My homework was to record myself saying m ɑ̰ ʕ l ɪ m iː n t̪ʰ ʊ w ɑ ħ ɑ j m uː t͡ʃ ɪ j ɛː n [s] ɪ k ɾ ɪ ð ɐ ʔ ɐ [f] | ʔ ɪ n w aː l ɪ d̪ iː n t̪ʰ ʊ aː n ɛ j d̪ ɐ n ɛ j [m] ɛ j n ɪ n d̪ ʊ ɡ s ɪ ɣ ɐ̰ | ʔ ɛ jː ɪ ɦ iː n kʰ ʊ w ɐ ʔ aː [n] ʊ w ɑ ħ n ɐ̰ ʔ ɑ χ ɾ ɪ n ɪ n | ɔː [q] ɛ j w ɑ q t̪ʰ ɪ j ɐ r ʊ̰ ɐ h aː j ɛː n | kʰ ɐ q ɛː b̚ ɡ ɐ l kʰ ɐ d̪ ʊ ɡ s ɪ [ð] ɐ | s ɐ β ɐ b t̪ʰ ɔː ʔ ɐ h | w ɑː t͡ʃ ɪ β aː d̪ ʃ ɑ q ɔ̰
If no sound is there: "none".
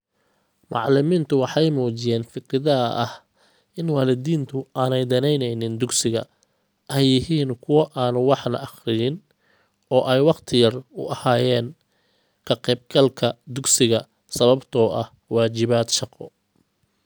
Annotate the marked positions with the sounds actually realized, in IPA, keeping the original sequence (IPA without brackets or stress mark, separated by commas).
f, h, n, n, ʔ, ɣ